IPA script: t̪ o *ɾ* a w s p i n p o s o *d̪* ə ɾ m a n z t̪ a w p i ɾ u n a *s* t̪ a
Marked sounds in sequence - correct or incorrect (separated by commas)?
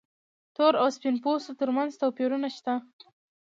correct, incorrect, incorrect